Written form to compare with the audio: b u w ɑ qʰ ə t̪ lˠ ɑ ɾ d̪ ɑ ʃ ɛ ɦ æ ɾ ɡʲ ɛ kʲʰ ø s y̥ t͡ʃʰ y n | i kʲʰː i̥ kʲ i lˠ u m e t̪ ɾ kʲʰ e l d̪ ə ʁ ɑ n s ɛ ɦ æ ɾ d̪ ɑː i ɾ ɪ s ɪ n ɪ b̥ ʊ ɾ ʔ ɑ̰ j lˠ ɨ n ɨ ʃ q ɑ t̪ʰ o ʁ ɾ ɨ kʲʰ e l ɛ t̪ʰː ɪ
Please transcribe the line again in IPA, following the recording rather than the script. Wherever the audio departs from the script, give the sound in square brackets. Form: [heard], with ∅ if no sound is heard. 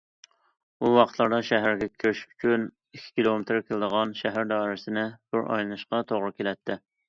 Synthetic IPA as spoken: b u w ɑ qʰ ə t̪ lˠ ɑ ɾ d̪ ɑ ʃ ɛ ɦ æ ɾ ɡʲ ɛ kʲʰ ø [ʃ] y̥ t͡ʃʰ y n | i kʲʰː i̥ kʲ i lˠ [o] m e t̪ ɾ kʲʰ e l d̪ ə ʁ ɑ n [ʃ] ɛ ɦ æ ɾ d̪ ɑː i ɾ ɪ s ɪ n ɪ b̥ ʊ ɾ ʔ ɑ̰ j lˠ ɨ n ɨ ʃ q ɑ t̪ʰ o ʁ ɾ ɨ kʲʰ e l ɛ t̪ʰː ɪ

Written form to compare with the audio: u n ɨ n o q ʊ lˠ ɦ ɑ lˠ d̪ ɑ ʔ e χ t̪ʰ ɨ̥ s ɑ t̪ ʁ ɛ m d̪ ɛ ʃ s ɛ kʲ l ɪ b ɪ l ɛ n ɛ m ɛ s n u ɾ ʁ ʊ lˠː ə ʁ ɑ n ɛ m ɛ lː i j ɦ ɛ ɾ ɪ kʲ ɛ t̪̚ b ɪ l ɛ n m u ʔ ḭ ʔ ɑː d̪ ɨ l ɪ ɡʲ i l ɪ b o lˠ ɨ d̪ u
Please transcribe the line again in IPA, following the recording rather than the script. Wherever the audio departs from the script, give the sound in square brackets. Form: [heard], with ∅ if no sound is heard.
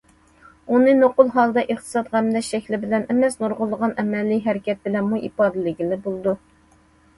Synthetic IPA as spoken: u n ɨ n o q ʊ lˠ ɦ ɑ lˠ d̪ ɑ ʔ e χ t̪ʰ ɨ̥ s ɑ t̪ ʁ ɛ m d̪ ɛ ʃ [ʃ] ɛ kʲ l ɪ b ɪ l ɛ n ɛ m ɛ s n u ɾ ʁ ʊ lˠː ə ʁ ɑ n ɛ m ɛ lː i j ɦ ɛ ɾ ɪ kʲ ɛ t̪̚ b ɪ l ɛ n m u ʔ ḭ [p] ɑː d̪ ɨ l ɪ ɡʲ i l ɪ b o lˠ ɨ d̪ u

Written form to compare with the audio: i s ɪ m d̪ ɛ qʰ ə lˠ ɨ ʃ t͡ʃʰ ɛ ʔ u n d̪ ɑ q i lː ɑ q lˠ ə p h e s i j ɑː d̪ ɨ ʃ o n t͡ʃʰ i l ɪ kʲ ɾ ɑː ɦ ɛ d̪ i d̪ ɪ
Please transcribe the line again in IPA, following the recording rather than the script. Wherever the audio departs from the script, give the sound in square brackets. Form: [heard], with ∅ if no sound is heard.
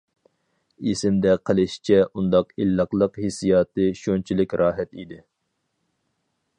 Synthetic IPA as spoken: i s ɪ m d̪ ɛ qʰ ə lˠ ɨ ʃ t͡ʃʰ ɛ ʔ u n d̪ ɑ q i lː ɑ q lˠ ə [q] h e s i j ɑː [t̪] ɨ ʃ o n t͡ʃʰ i l ɪ kʲ ɾ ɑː ɦ ɛ [t̪] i d̪ ɪ

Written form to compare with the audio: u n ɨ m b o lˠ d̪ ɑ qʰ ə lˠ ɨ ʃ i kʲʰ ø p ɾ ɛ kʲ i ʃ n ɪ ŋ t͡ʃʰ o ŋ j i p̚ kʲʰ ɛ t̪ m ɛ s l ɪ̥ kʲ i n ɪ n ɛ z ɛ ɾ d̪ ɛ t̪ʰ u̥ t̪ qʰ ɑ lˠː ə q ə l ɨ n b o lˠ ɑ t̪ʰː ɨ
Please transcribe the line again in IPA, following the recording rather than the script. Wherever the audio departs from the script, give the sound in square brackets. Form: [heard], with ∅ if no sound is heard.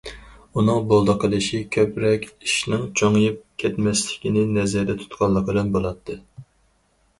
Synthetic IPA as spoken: u n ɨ [ŋ] b o lˠ d̪ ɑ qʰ ə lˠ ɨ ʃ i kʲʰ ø p ɾ ɛ kʲ i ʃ n ɪ ŋ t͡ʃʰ o ŋ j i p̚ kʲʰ ɛ t̪ m ɛ s l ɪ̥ kʲ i n ɪ n ɛ z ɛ ɾ d̪ ɛ t̪ʰ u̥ t̪ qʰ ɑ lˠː ə q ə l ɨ n b o lˠ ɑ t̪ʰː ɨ

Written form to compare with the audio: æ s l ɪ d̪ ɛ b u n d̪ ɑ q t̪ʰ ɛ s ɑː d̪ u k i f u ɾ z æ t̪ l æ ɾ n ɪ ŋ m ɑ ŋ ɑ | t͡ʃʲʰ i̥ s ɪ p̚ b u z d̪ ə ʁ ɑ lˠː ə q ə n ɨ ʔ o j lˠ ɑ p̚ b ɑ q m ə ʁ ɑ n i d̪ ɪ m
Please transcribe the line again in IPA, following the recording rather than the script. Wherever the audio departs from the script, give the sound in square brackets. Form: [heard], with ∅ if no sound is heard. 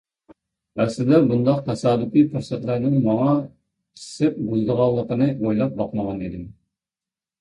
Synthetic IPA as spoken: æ s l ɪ d̪ ɛ b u n d̪ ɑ q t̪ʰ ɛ s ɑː d̪ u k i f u ɾ [s] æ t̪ l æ ɾ n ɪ ŋ m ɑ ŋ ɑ | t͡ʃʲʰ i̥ s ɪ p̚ b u z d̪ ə ʁ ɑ lˠː ə q ə n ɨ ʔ o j lˠ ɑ p̚ b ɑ q m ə ʁ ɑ n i d̪ ɪ m

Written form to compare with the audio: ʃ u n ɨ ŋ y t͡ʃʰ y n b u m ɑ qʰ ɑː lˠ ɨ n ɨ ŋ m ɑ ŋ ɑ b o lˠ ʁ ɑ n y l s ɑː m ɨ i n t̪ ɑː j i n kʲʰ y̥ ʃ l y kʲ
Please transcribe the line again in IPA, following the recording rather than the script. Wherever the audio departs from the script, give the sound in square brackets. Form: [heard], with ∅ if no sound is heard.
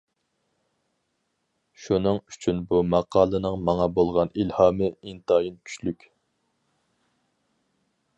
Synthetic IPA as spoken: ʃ u n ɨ ŋ y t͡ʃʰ y n b u m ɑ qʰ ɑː lˠ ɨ n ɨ ŋ m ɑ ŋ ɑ b o lˠ ʁ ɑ n [i] l [h] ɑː m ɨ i n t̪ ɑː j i n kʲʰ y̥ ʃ l y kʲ

